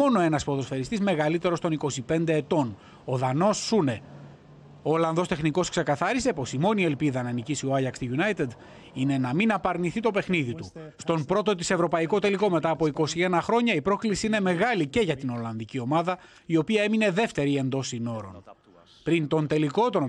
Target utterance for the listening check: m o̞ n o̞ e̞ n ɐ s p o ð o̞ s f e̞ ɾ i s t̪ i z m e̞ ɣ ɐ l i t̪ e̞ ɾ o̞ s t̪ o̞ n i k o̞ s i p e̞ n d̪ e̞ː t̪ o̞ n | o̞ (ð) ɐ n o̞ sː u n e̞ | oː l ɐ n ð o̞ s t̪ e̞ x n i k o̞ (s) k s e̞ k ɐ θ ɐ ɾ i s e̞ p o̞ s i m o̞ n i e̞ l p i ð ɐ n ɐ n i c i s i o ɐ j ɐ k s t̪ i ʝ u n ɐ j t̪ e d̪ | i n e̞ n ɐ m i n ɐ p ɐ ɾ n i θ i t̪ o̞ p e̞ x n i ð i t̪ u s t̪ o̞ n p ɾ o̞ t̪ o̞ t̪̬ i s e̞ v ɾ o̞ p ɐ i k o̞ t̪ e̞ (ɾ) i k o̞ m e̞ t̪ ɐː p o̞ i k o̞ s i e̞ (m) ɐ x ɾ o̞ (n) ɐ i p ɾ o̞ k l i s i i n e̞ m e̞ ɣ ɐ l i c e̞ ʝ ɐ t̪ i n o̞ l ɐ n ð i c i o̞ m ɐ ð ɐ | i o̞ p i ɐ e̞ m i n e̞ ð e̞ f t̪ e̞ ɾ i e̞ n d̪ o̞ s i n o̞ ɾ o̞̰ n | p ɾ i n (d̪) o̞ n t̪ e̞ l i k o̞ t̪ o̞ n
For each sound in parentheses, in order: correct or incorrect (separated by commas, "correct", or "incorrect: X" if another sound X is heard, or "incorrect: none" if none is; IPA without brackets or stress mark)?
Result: correct, correct, incorrect: l, incorrect: n, incorrect: ɲ, incorrect: t̪